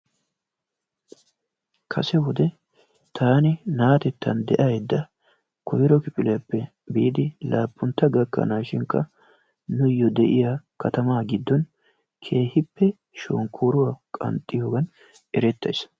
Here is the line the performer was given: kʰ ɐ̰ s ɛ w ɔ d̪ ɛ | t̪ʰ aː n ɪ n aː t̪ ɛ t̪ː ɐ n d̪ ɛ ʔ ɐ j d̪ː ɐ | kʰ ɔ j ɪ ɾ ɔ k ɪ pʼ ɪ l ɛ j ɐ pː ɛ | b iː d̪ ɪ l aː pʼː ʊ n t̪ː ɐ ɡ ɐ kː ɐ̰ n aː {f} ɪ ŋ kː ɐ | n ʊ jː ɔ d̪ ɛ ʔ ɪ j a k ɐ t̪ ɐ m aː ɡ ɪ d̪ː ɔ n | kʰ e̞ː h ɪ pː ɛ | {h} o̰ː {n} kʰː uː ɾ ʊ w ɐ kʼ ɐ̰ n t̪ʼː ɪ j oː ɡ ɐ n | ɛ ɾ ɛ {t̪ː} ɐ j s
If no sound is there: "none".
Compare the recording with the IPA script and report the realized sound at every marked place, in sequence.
ʃ, ʃ, ŋ, t̪ː

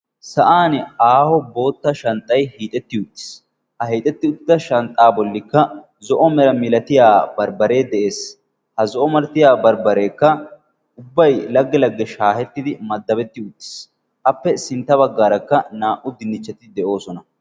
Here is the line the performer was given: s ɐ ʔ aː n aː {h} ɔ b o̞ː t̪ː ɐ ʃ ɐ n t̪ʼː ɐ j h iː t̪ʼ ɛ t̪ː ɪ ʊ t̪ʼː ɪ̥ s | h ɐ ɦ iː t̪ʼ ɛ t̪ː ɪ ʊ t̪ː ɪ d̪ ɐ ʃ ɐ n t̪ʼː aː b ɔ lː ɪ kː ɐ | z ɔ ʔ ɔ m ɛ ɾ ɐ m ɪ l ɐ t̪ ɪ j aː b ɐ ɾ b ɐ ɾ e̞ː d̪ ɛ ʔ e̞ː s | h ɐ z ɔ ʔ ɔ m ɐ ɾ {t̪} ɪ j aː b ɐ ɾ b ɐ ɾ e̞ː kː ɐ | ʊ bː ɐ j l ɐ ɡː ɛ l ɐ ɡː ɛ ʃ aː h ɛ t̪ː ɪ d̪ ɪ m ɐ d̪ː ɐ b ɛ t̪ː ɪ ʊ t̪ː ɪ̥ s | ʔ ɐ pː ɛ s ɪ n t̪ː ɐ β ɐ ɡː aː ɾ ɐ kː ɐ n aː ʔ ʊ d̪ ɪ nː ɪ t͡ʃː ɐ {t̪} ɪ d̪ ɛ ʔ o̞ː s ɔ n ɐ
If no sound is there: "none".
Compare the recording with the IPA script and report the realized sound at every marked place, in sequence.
h, t̪, t̪

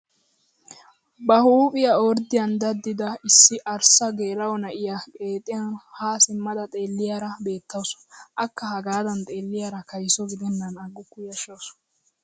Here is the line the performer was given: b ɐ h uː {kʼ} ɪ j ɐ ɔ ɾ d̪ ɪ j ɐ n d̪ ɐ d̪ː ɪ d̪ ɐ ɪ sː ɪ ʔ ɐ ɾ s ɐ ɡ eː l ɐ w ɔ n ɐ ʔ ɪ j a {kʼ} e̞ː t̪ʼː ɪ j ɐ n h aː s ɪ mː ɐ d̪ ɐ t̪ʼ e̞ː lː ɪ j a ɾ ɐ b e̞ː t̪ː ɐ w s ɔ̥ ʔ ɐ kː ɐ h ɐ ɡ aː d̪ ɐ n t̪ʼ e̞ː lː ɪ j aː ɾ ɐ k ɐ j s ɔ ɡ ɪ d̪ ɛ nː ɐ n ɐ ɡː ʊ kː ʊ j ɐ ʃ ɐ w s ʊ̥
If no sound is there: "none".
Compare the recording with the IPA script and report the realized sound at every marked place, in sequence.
pʼ, kʼ

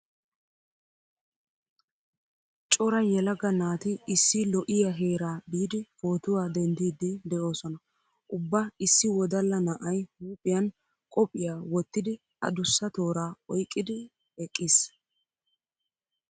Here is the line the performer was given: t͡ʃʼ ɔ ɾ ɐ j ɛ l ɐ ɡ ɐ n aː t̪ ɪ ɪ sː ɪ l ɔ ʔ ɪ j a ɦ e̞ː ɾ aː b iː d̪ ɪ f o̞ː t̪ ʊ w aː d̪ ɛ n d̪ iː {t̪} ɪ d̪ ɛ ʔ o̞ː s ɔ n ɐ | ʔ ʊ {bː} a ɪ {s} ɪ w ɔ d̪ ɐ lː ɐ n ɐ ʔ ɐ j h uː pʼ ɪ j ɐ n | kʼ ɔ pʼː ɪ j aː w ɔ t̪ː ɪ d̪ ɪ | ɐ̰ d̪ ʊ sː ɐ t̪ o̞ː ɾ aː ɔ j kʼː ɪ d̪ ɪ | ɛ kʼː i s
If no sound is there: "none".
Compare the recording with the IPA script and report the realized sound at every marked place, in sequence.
d̪, bː, sː

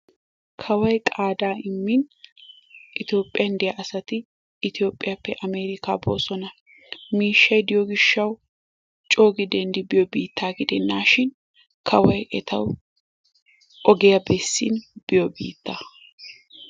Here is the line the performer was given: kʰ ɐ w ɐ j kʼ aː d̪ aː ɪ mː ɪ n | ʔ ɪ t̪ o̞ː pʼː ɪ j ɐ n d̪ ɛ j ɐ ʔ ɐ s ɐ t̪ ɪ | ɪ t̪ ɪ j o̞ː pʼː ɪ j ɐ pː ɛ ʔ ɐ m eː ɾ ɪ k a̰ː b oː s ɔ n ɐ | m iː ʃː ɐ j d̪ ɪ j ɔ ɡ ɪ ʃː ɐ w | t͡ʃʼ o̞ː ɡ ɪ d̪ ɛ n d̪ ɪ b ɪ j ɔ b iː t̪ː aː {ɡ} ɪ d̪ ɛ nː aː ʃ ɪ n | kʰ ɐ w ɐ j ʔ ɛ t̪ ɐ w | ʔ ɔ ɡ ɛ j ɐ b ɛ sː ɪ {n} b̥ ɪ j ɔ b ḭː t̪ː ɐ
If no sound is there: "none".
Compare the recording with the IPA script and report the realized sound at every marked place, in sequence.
ɡ, n

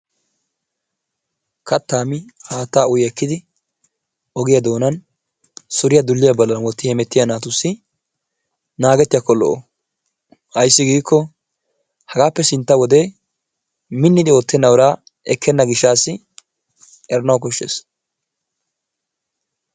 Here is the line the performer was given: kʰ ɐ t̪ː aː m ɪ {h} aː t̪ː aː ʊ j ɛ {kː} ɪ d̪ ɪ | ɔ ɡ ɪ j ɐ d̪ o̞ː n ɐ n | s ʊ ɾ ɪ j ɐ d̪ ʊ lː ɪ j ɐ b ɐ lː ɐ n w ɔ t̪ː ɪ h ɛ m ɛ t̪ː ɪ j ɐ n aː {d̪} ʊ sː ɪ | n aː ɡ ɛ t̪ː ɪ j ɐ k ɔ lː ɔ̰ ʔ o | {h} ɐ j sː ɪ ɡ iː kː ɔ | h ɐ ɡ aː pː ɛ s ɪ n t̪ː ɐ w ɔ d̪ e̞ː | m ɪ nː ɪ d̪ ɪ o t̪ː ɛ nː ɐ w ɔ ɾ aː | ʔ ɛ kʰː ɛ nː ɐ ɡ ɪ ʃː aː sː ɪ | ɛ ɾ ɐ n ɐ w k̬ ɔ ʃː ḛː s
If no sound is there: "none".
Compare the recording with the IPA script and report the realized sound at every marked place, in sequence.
h, kː, t̪, h

